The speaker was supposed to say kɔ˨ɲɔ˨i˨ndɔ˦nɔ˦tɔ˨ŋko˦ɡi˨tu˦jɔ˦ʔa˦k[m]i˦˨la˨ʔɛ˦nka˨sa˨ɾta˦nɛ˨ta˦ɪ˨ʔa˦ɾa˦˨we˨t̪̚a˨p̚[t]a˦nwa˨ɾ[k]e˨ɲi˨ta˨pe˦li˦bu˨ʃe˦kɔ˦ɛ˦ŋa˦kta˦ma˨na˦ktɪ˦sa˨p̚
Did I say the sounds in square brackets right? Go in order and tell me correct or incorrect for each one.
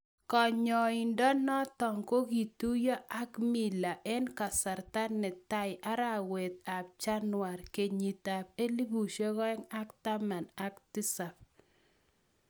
correct, incorrect: t͡ʃ, correct

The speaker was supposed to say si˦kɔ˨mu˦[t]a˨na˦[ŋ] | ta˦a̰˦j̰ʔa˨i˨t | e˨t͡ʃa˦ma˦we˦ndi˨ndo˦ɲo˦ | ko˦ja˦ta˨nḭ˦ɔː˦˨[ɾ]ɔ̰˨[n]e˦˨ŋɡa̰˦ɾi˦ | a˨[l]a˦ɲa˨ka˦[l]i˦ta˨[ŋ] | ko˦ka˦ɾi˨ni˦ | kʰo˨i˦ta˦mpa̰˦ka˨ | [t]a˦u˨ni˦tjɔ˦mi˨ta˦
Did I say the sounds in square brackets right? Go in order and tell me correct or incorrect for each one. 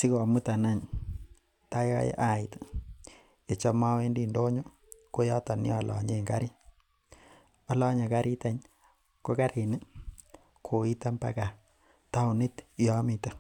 correct, incorrect: ɲ, incorrect: l, incorrect: ɲ, correct, incorrect: ɾ, incorrect: ɲ, correct

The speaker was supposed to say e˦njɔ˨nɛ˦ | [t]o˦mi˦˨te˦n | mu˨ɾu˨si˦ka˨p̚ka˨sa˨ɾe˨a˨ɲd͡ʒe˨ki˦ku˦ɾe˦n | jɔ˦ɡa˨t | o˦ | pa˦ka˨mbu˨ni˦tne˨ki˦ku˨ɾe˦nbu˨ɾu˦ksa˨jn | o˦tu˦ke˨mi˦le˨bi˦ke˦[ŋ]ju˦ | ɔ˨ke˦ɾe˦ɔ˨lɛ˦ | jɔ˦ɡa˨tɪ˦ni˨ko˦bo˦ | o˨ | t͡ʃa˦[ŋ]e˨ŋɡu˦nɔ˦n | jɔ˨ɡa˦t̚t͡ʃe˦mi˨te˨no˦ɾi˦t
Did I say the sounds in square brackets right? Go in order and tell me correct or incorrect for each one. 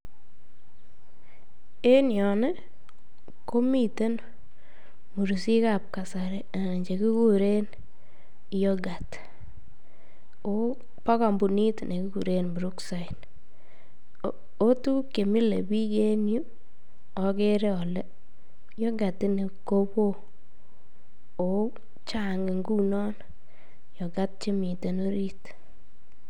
incorrect: k, incorrect: n, correct

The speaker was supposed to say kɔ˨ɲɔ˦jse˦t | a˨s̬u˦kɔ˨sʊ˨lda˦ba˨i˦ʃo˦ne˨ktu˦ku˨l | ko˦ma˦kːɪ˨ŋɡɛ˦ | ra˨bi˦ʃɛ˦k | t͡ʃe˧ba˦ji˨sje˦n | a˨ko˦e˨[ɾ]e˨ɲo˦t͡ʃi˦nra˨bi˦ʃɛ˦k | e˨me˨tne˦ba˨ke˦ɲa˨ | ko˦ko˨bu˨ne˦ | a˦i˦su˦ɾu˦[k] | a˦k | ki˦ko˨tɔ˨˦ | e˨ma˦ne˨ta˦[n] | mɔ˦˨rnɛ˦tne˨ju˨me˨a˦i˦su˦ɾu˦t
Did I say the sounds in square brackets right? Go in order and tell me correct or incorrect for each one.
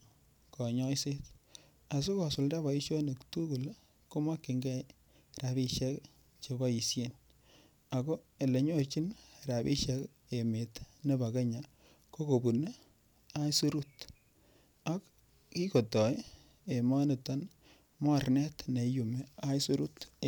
incorrect: l, incorrect: t, correct

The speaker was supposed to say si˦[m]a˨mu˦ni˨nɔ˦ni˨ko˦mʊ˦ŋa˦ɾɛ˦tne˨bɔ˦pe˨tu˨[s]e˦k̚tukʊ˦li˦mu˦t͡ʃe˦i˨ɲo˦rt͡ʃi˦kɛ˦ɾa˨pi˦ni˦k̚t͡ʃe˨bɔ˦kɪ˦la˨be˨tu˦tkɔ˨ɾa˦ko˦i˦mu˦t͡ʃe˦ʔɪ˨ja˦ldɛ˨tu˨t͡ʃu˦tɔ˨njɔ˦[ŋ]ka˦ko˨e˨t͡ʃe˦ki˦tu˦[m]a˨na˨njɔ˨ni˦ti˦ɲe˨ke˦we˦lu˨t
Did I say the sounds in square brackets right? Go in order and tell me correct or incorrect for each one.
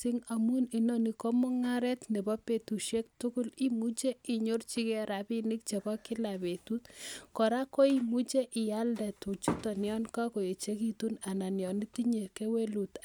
incorrect: ŋ, incorrect: ʃ, incorrect: n, incorrect: n

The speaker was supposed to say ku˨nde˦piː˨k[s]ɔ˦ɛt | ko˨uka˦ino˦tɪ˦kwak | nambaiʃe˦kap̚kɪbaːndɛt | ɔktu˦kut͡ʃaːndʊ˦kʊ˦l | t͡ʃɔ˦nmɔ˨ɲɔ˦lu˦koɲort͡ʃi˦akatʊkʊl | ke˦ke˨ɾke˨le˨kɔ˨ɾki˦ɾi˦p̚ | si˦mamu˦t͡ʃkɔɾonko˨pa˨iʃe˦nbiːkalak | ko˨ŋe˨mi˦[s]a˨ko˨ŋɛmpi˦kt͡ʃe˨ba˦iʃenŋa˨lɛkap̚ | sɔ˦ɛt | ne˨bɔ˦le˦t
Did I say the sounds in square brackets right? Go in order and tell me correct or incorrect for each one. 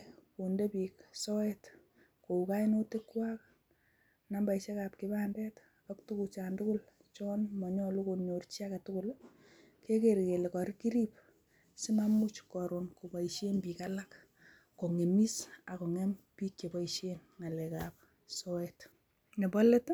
correct, correct

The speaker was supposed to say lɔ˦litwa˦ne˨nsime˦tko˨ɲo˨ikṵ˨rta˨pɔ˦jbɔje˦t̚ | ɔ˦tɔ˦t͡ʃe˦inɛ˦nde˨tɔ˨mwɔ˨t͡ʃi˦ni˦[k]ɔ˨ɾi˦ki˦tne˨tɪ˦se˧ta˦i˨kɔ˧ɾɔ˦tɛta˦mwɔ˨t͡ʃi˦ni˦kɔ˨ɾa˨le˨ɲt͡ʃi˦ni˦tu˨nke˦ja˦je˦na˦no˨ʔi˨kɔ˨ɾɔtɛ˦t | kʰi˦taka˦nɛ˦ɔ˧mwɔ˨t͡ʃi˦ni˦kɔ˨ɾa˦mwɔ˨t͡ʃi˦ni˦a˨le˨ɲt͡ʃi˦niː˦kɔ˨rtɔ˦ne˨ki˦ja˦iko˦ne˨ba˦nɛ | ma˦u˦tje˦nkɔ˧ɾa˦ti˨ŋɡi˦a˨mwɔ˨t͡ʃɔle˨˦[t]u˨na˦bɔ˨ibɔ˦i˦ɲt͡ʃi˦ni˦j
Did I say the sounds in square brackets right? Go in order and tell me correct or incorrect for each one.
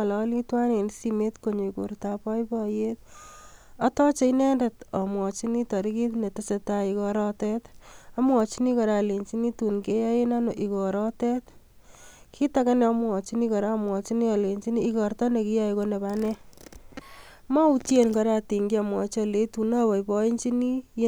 incorrect: t, correct

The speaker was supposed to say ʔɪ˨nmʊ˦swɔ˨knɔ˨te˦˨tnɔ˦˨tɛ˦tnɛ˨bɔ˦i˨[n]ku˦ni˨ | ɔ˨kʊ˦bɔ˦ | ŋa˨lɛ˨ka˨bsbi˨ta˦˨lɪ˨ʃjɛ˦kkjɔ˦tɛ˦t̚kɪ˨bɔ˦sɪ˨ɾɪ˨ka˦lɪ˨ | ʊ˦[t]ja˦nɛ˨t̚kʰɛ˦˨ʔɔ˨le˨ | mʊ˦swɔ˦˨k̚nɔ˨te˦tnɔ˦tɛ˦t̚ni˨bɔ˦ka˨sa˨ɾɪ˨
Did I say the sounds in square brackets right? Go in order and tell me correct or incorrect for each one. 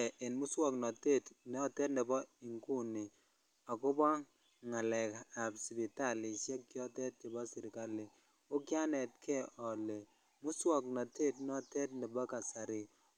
incorrect: ŋ, incorrect: k

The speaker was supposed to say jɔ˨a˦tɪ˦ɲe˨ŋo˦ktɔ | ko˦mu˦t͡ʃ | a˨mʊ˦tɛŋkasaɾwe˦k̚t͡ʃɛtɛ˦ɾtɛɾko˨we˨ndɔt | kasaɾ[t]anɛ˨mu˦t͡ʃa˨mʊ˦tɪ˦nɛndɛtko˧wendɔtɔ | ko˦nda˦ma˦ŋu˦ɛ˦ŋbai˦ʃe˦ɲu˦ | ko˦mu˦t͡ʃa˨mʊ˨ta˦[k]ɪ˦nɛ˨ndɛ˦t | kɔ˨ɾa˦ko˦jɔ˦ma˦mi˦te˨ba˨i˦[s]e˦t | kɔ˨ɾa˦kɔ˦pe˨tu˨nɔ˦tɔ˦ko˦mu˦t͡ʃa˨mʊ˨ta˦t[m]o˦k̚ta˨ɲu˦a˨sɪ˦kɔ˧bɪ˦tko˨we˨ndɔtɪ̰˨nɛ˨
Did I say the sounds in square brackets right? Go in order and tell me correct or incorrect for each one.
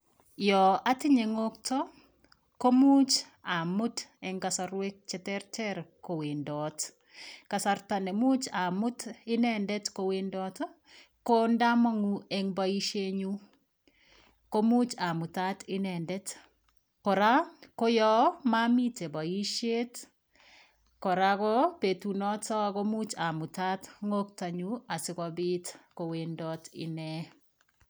correct, incorrect: t, incorrect: ʃ, incorrect: ŋ

